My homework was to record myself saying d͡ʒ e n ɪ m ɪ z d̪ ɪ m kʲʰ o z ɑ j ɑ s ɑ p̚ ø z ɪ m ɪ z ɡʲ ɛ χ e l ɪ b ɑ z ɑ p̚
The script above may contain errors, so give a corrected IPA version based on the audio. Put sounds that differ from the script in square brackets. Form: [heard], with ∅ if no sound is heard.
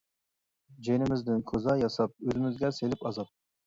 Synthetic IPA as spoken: d͡ʒ e n ɪ m ɪ z d̪ ɪ [n] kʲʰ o z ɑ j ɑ s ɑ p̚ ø z ɪ m ɪ z ɡʲ ɛ [s] e l ɪ [p] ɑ z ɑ p̚

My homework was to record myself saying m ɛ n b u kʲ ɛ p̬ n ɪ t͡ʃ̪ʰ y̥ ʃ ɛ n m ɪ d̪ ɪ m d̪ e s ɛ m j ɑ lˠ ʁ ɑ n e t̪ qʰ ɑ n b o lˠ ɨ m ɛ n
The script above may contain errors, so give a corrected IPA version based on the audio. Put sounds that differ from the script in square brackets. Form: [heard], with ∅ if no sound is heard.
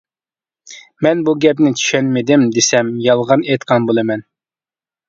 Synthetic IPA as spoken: m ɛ n b u [ɡʲ] ɛ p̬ n ɪ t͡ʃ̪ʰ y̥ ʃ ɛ n m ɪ d̪ ɪ m d̪ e s ɛ m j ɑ lˠ ʁ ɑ n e t̪ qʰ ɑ n b o lˠ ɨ m ɛ n

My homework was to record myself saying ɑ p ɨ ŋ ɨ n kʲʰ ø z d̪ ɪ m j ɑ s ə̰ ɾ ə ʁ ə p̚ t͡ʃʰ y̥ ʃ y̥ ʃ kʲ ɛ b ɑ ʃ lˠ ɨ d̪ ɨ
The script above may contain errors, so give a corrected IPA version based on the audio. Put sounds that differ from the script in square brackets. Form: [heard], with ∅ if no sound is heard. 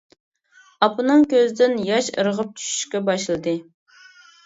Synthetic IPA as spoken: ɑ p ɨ [n] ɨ [ŋ] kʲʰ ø z d̪ ɪ [n] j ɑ [ʃ] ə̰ ɾ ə ʁ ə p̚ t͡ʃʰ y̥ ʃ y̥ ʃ kʲ ɛ b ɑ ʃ lˠ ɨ d̪ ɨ

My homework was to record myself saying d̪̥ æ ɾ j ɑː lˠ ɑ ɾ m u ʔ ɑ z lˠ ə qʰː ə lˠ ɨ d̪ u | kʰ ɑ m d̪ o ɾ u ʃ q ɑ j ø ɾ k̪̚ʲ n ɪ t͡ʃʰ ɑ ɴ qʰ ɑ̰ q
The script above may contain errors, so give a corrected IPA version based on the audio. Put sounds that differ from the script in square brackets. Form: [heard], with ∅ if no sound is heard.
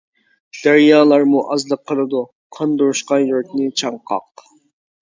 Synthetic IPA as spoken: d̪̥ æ ɾ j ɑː lˠ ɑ ɾ m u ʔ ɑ z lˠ ə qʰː ə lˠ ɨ d̪ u | [qʰ] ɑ [n] d̪ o ɾ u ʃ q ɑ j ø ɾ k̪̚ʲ n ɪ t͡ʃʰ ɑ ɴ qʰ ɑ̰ q

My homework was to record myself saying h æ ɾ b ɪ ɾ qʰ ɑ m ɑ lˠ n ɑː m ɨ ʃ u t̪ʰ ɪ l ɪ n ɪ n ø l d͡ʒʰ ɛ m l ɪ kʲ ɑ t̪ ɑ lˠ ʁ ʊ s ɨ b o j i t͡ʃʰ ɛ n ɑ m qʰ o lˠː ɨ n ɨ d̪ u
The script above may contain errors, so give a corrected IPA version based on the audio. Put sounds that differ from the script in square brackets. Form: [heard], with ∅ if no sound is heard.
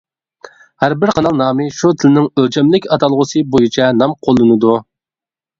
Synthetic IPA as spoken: h æ ɾ b ɪ ɾ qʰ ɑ [n] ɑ lˠ n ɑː m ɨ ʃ u t̪ʰ ɪ l ɪ n ɪ [ŋ] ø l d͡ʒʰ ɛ m l ɪ kʲ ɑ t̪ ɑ lˠ ʁ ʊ s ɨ b o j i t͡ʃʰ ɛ n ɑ m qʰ o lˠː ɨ n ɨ d̪ u

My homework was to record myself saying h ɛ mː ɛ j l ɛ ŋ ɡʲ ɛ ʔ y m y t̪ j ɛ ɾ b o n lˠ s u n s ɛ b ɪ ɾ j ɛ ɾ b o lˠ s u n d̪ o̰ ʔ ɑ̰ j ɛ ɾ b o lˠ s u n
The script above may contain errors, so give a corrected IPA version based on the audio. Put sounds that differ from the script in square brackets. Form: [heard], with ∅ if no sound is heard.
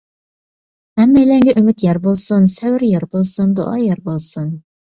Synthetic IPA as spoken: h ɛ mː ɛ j l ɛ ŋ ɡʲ ɛ ʔ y m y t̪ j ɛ ɾ b o [∅] lˠ s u n s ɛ [w] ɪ ɾ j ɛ ɾ b o lˠ s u n d̪ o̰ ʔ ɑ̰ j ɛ ɾ b o lˠ s u n

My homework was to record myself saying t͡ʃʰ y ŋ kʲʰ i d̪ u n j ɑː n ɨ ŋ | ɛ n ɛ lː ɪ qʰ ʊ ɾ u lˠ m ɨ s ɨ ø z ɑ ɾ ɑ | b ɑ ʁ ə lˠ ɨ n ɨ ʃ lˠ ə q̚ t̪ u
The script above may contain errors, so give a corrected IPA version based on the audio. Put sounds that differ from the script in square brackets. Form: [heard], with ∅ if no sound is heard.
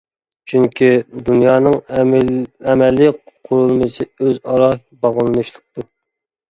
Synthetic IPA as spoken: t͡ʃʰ y ŋ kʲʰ i d̪ u n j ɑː n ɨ ŋ | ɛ [m] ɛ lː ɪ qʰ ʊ ɾ u lˠ m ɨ s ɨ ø z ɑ ɾ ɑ | b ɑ ʁ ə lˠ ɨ n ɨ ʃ lˠ ə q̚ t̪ u

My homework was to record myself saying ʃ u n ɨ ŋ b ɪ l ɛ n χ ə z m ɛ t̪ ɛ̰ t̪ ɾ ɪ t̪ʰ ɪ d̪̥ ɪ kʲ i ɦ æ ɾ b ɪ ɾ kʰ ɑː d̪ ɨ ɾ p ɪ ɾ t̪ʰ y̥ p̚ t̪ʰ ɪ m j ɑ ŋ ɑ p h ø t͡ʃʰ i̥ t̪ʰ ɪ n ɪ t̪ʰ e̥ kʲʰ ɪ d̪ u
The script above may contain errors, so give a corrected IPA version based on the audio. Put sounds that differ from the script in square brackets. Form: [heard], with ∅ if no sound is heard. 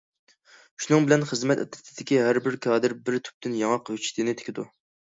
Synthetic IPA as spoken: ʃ u n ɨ ŋ b ɪ l ɛ n χ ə z m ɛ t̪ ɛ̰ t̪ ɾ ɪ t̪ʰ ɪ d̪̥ ɪ kʲ i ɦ æ ɾ b ɪ ɾ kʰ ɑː d̪ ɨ ɾ [b] ɪ ɾ t̪ʰ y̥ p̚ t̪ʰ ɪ [n] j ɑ ŋ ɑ [q] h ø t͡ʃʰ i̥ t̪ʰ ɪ n ɪ t̪ʰ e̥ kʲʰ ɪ d̪ u

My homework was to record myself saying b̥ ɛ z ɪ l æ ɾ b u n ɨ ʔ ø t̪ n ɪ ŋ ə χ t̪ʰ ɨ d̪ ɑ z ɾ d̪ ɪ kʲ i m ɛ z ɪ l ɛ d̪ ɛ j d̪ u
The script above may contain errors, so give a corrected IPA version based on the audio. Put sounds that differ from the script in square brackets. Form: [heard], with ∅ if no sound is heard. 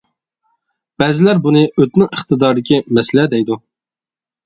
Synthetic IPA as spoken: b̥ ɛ z ɪ l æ ɾ b u n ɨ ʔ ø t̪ n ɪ ŋ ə χ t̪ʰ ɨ d̪ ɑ [∅] ɾ d̪ ɪ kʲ i m ɛ [s] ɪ l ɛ d̪ ɛ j d̪ u

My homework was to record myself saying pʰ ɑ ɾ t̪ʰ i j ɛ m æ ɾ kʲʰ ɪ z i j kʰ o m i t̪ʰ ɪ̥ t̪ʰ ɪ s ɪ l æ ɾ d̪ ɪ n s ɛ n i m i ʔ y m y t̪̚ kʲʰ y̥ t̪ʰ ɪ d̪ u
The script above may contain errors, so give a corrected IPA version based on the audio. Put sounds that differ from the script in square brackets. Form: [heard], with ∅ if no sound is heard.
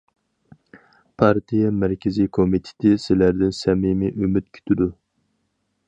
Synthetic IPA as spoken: pʰ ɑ ɾ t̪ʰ i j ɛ m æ ɾ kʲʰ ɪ z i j kʰ o m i t̪ʰ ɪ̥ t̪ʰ ɪ s ɪ l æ ɾ d̪ ɪ n s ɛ [m] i m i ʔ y m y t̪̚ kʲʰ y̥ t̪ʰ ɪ d̪ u

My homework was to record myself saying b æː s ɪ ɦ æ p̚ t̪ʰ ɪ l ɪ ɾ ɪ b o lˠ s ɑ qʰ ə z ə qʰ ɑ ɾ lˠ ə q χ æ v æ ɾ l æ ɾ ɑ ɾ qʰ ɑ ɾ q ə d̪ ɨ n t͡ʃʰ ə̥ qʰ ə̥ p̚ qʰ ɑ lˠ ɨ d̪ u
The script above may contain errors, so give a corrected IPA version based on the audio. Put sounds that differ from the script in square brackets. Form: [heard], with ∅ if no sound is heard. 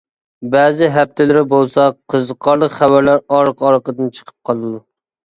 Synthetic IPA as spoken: b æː [z] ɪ ɦ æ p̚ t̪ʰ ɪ l ɪ ɾ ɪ b o lˠ s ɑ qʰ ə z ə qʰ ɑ ɾ lˠ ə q χ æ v æ ɾ l æ ɾ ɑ ɾ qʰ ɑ ɾ q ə d̪ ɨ n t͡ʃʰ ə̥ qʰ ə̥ p̚ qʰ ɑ lˠ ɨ d̪ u

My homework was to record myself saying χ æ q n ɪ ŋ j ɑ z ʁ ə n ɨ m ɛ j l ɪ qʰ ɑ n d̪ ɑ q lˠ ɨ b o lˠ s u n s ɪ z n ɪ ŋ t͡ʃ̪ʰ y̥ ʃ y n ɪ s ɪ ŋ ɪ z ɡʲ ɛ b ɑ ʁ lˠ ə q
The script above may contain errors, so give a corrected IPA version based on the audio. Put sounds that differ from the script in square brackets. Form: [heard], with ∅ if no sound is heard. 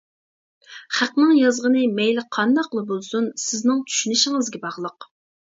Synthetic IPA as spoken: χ æ q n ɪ ŋ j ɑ z ʁ ə n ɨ m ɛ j l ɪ qʰ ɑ n d̪ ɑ q lˠ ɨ b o lˠ s u n s ɪ z n ɪ ŋ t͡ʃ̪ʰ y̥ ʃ y n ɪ [ʃ] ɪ ŋ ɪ z ɡʲ ɛ b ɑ ʁ lˠ ə q

